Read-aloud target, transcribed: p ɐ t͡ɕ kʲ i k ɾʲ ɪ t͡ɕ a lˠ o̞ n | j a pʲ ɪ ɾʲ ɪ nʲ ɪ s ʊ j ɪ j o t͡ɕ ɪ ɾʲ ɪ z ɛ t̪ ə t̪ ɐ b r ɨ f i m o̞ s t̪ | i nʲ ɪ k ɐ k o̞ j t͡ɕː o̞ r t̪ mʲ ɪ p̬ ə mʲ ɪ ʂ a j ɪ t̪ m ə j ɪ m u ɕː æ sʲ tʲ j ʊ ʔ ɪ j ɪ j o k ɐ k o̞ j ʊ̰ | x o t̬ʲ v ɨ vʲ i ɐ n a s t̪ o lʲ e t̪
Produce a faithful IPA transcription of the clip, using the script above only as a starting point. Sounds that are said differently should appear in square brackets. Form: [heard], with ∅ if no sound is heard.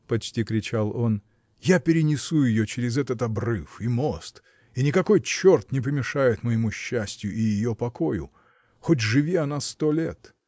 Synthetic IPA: p ɐ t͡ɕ [tʲ] i k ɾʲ ɪ t͡ɕ a lˠ o̞ n | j a pʲ ɪ ɾʲ ɪ nʲ ɪ s [u] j ɪ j o t͡ɕ ɪ ɾʲ ɪ z ɛ t̪ ə t̪ ɐ b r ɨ f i m o̞ s t̪ | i nʲ ɪ k ɐ k o̞ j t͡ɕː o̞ r t̪ [nʲ] ɪ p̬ ə mʲ ɪ ʂ a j ɪ t̪ m ə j ɪ m u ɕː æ sʲ tʲ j ʊ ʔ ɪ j ɪ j o [p] ɐ k o̞ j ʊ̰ | x o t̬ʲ [ʐ] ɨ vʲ i ɐ n a s t̪ o lʲ e t̪

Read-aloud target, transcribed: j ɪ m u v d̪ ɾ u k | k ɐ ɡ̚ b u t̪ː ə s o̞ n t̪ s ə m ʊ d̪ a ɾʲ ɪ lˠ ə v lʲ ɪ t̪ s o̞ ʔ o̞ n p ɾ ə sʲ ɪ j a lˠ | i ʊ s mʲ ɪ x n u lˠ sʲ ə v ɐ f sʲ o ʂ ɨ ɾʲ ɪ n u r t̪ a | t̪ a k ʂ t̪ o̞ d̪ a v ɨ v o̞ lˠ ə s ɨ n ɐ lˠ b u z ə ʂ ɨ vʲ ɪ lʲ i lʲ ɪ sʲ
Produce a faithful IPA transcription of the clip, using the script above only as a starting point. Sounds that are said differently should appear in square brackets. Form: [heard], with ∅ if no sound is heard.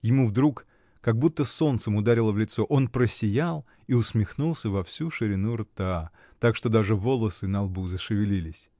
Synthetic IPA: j ɪ m u v d̪ ɾ u k | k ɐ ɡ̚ b u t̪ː ə s o̞ n t̪ s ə m ʊ d̪ a ɾʲ ɪ lˠ ə v lʲ ɪ t̪ s o̞ ʔ o̞ n p ɾ ə sʲ ɪ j a lˠ | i ʊ s mʲ ɪ x n u lˠ sʲ ə v ɐ f sʲ [u] ʂ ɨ ɾʲ ɪ n u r t̪ a | t̪ a k ʂ t̪ o̞ d̪ a [ʐ] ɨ v o̞ lˠ ə s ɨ n ɐ lˠ b u z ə ʂ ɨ vʲ ɪ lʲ i lʲ ɪ sʲ

